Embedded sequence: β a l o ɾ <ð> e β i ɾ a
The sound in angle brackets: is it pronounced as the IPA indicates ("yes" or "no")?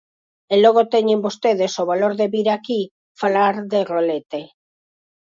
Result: yes